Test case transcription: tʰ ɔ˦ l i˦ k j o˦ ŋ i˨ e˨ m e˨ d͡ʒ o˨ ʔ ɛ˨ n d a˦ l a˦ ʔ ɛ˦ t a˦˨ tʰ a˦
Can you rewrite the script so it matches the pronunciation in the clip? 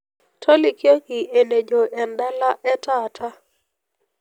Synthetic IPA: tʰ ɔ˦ l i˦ k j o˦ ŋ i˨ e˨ n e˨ d͡ʒ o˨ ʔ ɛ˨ n d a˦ l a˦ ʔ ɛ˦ t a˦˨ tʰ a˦